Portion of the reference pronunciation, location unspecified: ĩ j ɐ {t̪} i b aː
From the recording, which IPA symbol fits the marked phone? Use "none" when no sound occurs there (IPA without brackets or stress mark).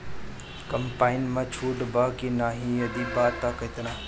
d̪